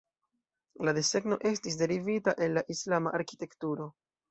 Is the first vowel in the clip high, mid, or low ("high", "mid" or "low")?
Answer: low